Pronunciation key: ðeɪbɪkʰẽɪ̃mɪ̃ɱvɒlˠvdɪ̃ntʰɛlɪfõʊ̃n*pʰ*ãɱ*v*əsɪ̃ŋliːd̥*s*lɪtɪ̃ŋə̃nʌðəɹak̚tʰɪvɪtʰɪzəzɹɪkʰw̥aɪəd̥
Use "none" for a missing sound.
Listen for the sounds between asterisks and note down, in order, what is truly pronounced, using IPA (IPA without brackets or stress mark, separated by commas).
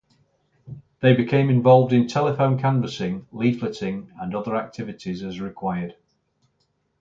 kʰ, v, f